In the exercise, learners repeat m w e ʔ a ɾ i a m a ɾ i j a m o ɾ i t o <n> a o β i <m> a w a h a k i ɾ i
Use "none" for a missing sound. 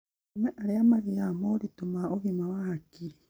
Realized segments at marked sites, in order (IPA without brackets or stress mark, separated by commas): m, m